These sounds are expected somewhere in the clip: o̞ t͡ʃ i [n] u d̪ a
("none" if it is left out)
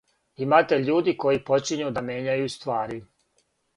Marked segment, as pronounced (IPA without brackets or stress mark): ɲ